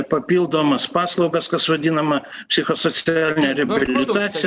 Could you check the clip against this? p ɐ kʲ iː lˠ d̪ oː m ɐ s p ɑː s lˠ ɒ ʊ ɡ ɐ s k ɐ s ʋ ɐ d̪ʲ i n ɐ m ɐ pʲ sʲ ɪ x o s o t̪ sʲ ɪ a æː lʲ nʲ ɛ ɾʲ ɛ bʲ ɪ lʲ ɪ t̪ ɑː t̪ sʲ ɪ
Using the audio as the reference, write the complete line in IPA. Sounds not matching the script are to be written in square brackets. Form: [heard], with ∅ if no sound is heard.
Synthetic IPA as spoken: p ɐ [pʲ] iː lˠ d̪ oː m ɐ s p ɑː s lˠ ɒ ʊ ɡ ɐ s k ɐ s ʋ ɐ d̪ʲ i n ɐ m ɐ pʲ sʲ ɪ x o s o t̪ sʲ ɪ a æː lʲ nʲ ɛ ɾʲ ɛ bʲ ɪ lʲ ɪ t̪ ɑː t̪ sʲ ɪ